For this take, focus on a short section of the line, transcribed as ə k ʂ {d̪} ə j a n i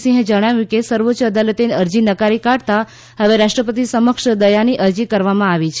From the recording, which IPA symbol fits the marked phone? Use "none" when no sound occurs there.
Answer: d̪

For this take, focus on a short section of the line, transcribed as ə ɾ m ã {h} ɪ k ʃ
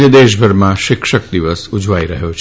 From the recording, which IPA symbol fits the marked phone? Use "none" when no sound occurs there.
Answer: ʃ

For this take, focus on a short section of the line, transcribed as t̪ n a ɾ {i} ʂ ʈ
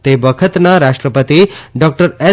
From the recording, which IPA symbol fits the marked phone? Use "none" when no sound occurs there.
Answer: a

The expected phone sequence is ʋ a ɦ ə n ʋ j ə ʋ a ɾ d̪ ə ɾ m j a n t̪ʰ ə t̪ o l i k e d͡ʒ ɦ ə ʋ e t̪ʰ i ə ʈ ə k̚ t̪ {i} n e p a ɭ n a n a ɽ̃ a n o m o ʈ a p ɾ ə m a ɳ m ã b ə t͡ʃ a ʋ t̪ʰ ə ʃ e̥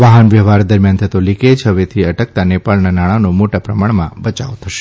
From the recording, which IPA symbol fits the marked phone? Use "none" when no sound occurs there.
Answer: a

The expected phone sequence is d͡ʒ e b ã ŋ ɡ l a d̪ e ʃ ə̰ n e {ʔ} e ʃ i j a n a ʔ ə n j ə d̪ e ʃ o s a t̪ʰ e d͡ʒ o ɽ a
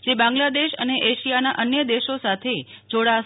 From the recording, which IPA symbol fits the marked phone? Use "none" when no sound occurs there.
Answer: ʔ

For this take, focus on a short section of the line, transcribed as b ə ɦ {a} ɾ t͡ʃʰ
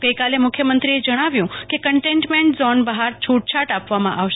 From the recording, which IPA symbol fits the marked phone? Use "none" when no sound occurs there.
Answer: a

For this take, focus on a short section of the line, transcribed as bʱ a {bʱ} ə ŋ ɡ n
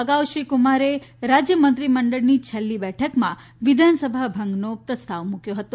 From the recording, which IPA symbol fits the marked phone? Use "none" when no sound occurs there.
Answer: bʱ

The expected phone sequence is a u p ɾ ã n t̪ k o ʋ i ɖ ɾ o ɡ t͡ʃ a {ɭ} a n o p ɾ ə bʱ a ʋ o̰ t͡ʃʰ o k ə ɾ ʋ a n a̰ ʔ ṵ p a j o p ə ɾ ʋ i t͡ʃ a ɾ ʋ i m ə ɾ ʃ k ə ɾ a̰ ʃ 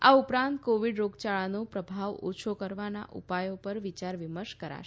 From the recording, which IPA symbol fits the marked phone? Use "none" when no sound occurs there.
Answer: ɭ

